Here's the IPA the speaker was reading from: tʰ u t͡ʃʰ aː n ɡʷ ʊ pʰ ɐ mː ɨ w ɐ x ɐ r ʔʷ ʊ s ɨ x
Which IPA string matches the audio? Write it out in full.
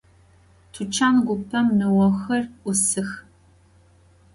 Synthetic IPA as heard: tʰ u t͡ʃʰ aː n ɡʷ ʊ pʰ ɐ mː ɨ w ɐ x ɐ r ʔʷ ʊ s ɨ x

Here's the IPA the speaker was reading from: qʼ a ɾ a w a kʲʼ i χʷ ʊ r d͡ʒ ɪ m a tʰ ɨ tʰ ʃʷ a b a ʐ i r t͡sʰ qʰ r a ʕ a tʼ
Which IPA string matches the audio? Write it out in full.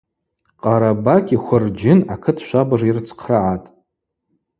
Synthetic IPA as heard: qʼ a ɾ a b a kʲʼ i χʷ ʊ r d͡ʒ ɪ n a kʰ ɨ tʰ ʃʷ a b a ʐ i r t͡sʰ qʰ r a ʕ a tʼ

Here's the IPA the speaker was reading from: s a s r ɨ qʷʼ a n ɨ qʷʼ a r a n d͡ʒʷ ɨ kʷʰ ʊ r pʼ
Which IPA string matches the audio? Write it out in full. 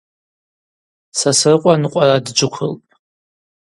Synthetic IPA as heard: s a s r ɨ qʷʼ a n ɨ qʷʼ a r a d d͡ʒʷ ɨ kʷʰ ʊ l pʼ

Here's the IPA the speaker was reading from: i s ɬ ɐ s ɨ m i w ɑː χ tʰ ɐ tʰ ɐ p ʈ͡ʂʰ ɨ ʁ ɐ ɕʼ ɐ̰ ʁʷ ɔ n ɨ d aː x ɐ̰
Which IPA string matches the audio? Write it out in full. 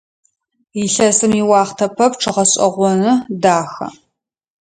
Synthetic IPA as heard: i ɬ ɐ s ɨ m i w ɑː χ tʰ ɐ pʰ ɐ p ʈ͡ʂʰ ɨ ʁ ɐ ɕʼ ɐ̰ ʁʷ ɔ n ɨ d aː x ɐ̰

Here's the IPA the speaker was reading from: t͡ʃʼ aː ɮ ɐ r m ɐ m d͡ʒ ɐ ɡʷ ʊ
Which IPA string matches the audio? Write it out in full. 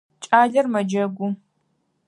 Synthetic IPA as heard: t͡ʃʼ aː ɮ ɐ r m ɐ d͡ʒ ɐ ɡʷ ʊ

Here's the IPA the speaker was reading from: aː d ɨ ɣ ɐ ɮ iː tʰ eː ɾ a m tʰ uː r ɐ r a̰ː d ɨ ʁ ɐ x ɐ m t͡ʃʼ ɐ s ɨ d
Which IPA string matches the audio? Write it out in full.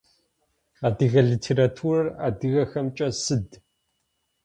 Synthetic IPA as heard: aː d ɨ ɣ ɐ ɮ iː tʰ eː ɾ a tʰ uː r ɐ r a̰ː d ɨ ɣ ɐ x ɐ m t͡ʃʼ ɐ s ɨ d

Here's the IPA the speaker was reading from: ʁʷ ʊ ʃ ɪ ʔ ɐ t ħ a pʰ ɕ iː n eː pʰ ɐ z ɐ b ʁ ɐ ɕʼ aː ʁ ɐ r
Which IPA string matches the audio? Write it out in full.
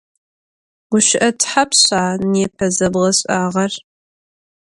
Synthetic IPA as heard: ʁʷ ʊ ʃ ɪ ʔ ɐ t ħ a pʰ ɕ aː n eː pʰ ɐ z ɐ b ʁ ɐ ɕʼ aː ʁ ɐ r

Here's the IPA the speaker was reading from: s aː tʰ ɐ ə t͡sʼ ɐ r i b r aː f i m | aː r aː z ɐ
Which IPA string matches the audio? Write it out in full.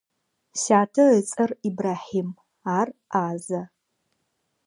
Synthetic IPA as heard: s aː tʰ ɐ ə t͡sʼ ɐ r i b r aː ħ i m | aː r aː z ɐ

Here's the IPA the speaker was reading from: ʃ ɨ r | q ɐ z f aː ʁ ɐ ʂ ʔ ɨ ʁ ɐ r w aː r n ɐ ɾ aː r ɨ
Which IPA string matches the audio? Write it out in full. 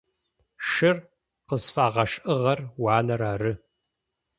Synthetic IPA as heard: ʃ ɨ r | q ə z f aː ʁ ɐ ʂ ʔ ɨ ʁ ɐ r w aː n ɐ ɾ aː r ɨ

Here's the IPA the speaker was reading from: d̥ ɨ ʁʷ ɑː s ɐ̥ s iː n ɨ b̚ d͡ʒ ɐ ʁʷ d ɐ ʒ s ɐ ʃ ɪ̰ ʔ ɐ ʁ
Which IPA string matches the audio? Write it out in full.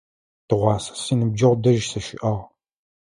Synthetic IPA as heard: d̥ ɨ ʁʷ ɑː s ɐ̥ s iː n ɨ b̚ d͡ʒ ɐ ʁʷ d ɐ ʒ s ɐ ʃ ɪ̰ ʔ ɐ ʁ

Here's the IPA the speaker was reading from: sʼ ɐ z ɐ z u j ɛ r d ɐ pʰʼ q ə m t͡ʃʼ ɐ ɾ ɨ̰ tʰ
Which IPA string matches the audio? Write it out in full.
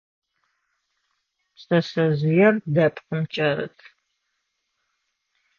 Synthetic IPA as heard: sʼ ɐ s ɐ z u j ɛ r d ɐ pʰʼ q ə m t͡ʃʼ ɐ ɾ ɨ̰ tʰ

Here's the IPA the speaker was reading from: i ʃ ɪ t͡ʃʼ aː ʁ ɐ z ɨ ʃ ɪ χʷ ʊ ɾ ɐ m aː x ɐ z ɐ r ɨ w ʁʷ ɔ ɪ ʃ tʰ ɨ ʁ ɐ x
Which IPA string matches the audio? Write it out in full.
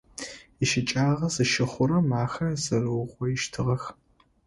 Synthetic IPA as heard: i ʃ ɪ t͡ʃʼ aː ʁ ɐ z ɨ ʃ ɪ χʷ ʊ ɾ ɐ m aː x ɐ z ɐ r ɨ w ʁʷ ɔ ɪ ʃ tʰ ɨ ʁ ɐ x

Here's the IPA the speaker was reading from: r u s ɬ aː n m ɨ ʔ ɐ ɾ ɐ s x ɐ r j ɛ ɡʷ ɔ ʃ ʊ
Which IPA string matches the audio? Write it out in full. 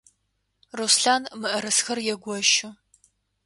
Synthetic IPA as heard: r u s ɬ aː n m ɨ ʔ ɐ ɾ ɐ s x ɐ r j ɛ ɡʷ ɔ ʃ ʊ

